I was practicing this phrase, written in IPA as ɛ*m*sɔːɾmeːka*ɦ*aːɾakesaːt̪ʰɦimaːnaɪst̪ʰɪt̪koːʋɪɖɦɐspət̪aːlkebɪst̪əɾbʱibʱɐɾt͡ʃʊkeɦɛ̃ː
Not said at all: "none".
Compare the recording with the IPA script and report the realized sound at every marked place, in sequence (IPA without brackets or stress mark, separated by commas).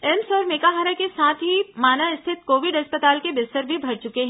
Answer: m, ɦ